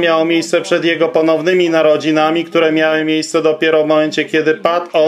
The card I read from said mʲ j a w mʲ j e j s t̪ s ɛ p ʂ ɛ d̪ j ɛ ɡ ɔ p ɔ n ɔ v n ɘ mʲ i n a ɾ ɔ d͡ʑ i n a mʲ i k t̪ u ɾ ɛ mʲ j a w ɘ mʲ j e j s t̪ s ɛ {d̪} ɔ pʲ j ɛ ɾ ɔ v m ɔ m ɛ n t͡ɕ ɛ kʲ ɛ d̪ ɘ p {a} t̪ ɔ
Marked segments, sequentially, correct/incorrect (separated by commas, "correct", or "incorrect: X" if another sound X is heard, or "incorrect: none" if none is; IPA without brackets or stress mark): correct, correct